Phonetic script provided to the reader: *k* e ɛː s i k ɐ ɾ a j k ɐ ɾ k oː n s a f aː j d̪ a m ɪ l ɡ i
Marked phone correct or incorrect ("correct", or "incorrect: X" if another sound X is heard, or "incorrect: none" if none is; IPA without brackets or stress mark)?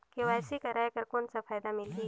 correct